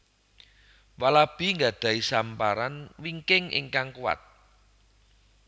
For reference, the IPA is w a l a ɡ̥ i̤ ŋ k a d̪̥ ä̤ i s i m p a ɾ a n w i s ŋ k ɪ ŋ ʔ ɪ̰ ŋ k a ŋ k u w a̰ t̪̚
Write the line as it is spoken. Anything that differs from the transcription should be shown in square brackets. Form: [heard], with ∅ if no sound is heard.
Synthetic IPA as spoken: w a l a [b̥] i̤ ŋ [ɡ] a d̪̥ ä̤ i s [a] m p a ɾ a n w i [∅] ŋ k ɪ ŋ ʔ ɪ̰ ŋ k a ŋ k u w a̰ t̪̚